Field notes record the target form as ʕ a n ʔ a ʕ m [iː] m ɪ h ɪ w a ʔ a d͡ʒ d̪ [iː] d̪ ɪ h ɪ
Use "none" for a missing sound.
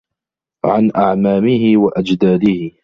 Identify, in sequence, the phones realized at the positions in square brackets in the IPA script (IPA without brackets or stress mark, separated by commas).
aː, aː